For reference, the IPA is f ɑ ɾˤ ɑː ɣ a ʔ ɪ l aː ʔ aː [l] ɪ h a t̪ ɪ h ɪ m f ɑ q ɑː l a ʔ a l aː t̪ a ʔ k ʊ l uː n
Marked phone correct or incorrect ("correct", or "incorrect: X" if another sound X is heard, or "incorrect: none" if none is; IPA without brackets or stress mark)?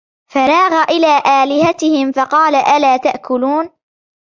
correct